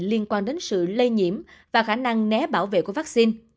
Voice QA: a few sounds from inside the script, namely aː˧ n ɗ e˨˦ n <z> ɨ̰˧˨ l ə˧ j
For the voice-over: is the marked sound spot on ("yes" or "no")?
no